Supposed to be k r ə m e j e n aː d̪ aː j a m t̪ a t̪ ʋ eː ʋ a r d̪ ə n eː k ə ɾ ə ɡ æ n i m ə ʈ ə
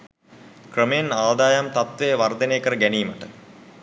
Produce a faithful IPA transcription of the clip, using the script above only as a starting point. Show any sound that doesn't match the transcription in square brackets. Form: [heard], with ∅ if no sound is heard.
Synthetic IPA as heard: k r ə m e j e n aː d̪ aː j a m t̪ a t̪ ʋ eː ʋ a r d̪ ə n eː k ə ɾ ə ɡ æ n [iː] m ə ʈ ə